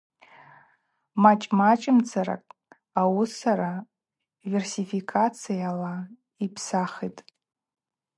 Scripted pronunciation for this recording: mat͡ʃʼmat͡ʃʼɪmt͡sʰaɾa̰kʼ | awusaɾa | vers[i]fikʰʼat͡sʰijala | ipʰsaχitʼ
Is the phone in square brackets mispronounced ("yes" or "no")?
no